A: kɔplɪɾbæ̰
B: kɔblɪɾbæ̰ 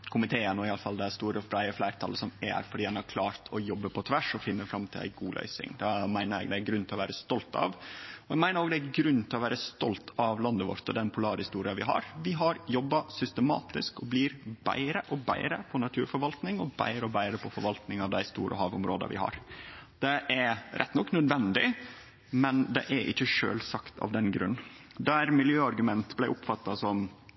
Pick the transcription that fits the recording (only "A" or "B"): B